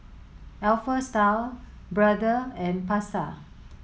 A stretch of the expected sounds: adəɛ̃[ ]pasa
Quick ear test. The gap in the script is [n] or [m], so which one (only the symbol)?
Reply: n